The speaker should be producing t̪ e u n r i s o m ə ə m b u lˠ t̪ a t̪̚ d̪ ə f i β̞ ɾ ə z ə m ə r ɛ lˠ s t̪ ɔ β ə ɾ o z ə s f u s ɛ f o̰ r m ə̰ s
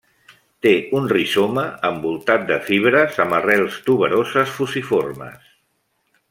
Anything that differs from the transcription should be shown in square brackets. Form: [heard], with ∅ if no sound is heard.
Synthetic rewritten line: t̪ e u n r i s o m ə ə m b u lˠ t̪ a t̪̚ d̪ ə f i β̞ ɾ ə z ə m ə r ɛ lˠ s t̪ [u] β ə ɾ o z ə s f u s [i] f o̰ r m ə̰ s